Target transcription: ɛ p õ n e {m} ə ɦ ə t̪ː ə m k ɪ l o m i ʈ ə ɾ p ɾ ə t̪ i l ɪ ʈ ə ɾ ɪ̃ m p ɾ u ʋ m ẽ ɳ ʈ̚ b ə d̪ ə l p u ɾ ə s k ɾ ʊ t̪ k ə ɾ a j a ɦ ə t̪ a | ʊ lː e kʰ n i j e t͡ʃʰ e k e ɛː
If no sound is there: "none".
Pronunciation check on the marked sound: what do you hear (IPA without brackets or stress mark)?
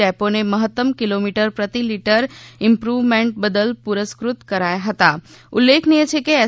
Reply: m